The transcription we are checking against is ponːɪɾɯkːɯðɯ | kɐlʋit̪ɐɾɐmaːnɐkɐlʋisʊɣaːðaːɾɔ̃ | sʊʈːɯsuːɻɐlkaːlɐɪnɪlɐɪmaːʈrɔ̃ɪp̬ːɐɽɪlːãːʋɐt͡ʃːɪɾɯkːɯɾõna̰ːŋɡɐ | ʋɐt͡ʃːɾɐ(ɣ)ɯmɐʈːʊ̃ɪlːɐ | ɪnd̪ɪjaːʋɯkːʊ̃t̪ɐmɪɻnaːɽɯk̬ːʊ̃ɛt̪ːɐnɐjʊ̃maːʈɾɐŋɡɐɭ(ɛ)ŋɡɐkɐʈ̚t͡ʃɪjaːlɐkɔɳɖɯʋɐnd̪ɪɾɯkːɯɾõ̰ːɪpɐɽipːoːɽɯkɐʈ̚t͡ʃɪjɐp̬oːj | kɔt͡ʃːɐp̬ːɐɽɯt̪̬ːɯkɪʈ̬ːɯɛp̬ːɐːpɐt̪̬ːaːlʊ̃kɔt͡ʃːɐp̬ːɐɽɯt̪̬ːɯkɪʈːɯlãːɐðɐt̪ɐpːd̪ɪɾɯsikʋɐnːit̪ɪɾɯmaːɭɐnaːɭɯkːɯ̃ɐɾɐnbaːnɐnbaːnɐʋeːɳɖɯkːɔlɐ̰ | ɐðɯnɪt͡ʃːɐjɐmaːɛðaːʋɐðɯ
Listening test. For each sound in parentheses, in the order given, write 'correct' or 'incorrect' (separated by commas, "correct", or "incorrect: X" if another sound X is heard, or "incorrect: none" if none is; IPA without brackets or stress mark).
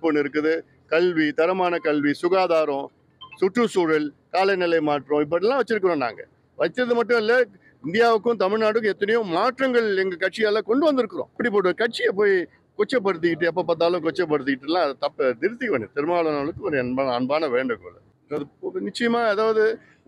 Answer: incorrect: ð, correct